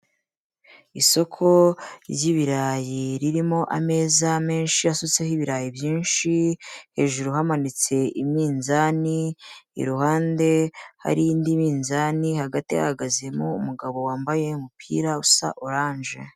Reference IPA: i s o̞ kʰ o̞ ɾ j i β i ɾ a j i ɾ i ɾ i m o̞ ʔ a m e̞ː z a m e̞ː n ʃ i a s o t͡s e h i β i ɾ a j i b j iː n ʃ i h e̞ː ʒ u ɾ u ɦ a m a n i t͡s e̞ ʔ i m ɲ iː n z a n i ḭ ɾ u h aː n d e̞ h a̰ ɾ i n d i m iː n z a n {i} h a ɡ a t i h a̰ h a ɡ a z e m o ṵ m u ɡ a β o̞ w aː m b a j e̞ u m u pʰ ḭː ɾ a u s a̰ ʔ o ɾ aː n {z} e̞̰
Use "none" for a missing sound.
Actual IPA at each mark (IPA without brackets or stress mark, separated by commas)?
i, ʒ